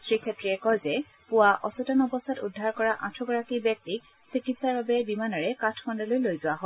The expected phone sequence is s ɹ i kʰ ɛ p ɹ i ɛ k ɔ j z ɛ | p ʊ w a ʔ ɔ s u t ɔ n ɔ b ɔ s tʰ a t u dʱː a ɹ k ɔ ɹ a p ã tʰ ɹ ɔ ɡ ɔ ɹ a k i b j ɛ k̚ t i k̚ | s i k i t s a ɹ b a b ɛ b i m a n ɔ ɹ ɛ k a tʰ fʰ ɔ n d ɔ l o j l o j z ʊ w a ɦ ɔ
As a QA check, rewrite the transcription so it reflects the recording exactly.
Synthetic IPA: s ɹ i kʰ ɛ t ɹ i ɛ k ɔ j z ɛ | p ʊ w a ʔ ɔ s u t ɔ n ɔ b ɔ s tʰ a t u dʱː a ɹ k ɔ ɹ a ʔ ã tʰ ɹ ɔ ɡ ɔ ɹ a k i b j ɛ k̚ t i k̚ | s i k i t s a ɹ b a b ɛ b i m a n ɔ ɹ ɛ k a tʰ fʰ ɔ n d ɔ l o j l o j z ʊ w a ɦ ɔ

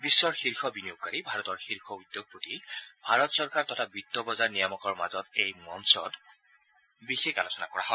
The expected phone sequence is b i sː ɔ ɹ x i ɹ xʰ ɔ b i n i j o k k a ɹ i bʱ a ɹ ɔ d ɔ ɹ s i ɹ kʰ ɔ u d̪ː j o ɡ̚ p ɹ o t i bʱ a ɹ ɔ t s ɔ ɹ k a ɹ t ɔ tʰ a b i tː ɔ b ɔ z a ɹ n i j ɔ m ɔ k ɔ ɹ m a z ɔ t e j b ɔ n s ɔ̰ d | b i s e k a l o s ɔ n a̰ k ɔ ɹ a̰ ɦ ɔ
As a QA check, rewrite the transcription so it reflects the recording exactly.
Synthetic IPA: b i sː ɔ ɹ x i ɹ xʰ ɔ b i n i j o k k a ɹ i bʱ a ɹ ɔ t ɔ ɹ x i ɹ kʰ ɔ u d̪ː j o ɡ̚ p ɹ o t i bʱ a ɹ ɔ t s ɔ ɹ k a ɹ t ɔ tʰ a b i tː ɔ b ɔ z a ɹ n i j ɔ m ɔ k ɔ ɹ m a z ɔ t e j m ɔ n s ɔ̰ d | b i x e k a l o s ɔ n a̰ k ɔ ɹ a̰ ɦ ɔ

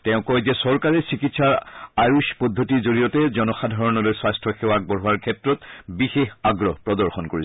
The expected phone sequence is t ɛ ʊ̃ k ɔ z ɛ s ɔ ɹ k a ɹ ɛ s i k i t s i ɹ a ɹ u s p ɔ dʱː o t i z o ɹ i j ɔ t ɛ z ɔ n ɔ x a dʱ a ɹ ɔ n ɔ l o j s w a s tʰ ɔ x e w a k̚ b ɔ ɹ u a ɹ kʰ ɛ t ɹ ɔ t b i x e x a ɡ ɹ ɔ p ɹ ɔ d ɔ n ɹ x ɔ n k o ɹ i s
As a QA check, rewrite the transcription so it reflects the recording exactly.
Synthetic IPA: t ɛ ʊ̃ k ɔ z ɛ s ɔ ɹ k a ɹ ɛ s i k i t s a ɹ a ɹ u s p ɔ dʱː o t i z o ɹ i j ɔ t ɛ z ɔ n ɔ x a dʱ a ɹ ɔ n ɔ l o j s w a s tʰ ɔ x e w a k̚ b ɔ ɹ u a ɹ kʰ ɛ t ɹ ɔ t b i x e x a ɡ ɹ ɔ p ɹ ɔ d ɔ ɹ x ɔ n k o ɹ i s

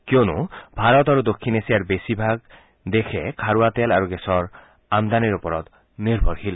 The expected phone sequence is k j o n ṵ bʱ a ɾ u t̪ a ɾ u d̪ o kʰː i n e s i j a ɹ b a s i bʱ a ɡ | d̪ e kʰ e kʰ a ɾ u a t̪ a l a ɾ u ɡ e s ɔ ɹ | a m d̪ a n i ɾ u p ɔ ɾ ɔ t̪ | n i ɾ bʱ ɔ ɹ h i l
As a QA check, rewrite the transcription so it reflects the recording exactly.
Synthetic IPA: k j o n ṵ bʱ a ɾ ɔ t̪ a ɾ u d̪ o kʰː i n e s i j a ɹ b e s i bʱ a ɡ | d̪ e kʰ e kʰ a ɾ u a t̪ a l a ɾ u ɡ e s ɔ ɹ | a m d̪ a n i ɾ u p ɔ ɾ ɔ t̪ | n i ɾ bʱ ɔ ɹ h i l

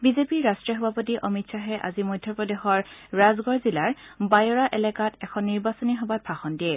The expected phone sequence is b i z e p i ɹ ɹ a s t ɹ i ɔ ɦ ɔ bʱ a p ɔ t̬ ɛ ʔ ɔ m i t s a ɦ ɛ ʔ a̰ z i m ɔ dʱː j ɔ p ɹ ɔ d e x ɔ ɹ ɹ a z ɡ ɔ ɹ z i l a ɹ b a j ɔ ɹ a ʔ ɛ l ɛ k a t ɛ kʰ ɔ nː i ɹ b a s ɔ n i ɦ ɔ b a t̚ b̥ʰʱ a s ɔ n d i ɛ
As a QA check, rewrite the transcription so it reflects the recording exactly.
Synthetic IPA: b i z e p i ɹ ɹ a s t ɹ i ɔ ɦ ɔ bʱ a p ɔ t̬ i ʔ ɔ m i t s a ɦ ɛ ʔ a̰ z i m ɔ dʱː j ɔ p ɹ ɔ d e x ɔ ɹ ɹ a z ɡ ɔ ɹ z i l a ɹ b a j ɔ ɹ a ʔ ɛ l ɛ k a t ɛ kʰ ɔ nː i ɹ b a s ɔ n i ɦ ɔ b a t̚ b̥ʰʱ a x ɔ n d i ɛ

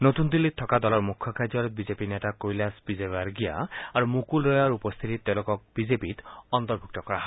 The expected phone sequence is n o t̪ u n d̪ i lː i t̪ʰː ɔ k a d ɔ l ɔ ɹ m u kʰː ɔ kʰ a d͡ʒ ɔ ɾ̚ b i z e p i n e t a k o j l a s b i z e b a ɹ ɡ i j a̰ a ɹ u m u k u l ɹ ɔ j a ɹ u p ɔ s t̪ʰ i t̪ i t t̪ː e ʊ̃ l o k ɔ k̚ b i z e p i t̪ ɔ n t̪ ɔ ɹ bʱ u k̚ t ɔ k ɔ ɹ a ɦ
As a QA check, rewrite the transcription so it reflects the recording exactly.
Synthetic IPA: n o t̪ u n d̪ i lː i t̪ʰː ɔ k a d ɔ l ɔ ɹ m u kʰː ɔ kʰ a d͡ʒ ɔ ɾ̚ b i z e p i n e t a k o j l a s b i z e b a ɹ ɡ i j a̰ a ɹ u m u k u l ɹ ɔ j a ɹ u p ɔ s t̪ʰ i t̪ i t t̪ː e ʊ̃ l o k ɔ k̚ b i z e p i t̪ ɔ n t̪ ɔ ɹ bʱ u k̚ t ɔ k ɔ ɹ a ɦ

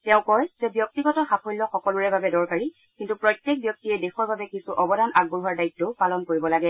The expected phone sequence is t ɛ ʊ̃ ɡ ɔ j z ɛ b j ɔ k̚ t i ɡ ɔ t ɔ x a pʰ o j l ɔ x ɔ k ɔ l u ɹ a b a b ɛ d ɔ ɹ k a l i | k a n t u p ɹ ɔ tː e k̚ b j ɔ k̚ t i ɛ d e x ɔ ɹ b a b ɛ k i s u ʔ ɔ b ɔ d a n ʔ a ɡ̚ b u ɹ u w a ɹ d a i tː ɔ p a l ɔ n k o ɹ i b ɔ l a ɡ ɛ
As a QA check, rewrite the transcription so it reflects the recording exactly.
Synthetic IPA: t ɛ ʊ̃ k ɔ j z ɛ b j ɔ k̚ t i ɡ ɔ t ɔ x a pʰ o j l ɔ x ɔ k ɔ l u ɹ ɛ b a b ɛ d ɔ ɹ k a ɹ i | k i n t u p ɹ ɔ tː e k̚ b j ɔ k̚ t i ɛ d e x ɔ ɹ b a b ɛ k i s u ʔ ɔ b ɔ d a n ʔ a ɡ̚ b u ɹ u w a ɹ d a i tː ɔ p a l ɔ n k o ɹ i b ɔ l a ɡ ɛ

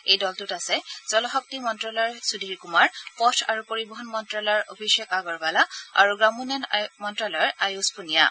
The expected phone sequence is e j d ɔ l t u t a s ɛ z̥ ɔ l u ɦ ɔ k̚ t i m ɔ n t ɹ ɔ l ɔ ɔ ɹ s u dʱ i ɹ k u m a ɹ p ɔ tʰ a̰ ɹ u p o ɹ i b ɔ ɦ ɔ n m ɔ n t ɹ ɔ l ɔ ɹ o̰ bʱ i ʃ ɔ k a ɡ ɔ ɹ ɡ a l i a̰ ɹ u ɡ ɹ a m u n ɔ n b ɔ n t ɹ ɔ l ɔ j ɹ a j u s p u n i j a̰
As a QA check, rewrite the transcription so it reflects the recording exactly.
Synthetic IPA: e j d ɔ l t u t a s ɛ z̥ ɔ l ɔ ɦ ɔ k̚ t i m ɔ n t ɹ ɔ l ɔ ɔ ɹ s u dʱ i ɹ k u m a ɹ p ɔ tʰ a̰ ɹ u p o ɹ i b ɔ ɦ ɔ n m ɔ n t ɹ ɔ l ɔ ɹ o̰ bʱ i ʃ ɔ k a ɡ ɔ ɹ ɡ a l a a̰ ɹ u ɡ ɹ a m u n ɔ n m ɔ n t ɹ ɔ l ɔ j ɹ a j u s p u n i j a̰

